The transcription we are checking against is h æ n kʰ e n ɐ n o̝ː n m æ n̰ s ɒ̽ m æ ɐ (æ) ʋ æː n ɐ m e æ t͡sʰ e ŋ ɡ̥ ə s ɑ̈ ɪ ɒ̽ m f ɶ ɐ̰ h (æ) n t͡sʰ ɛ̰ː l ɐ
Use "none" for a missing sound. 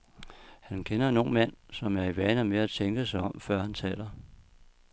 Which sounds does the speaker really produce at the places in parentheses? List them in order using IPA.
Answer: i, æ

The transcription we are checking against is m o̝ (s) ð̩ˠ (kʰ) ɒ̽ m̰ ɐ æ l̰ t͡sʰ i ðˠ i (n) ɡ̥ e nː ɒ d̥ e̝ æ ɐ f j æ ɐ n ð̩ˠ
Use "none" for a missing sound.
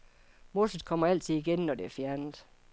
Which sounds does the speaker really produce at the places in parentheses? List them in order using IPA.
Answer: s, kʰ, none

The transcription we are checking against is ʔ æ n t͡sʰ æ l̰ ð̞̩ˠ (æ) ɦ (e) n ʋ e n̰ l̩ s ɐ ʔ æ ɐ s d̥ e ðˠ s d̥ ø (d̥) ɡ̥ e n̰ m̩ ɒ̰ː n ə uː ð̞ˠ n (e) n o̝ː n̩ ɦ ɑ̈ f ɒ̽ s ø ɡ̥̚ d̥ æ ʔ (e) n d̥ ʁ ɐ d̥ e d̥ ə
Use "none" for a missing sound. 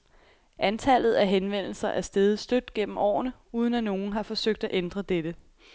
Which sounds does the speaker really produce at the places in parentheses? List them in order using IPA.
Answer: æ, e, d̥, æ, e

